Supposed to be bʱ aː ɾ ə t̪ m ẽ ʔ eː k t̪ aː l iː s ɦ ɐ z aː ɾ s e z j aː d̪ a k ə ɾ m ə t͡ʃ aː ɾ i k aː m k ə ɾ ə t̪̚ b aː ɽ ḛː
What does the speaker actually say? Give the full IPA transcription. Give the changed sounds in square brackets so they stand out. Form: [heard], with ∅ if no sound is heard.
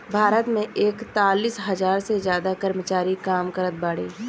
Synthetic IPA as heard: bʱ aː ɾ ə t̪ m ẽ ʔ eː k t̪ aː l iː s ɦ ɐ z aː ɾ s e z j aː d̪ a k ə ɾ m ə t͡ʃ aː ɾ i k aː m k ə ɾ ə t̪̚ b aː ɽ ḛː